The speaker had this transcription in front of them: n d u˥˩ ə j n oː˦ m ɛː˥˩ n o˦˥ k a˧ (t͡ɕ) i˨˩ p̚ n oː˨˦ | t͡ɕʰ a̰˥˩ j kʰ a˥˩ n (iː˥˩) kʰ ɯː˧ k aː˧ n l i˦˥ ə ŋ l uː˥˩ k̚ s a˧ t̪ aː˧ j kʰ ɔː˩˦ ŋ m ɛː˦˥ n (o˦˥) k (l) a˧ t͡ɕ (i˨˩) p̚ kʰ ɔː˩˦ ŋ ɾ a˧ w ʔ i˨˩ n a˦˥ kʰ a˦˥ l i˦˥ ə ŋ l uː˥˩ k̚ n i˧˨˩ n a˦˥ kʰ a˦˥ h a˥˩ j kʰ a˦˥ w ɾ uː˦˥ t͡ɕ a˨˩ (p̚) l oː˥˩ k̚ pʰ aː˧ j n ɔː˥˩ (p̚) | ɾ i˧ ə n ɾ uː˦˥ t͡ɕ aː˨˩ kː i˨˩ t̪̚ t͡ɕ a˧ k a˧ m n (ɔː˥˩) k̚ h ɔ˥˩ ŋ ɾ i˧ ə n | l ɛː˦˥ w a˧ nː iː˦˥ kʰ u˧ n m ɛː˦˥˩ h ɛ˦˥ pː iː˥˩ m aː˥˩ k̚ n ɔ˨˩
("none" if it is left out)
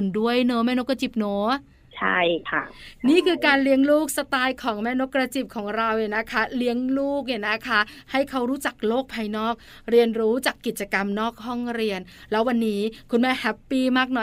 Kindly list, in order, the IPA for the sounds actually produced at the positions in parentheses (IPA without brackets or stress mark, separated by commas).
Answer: t͡ɕ, iː˥˩, o˦˥, ɾ, i˨˩, k̚, k̚, ɔː˥˩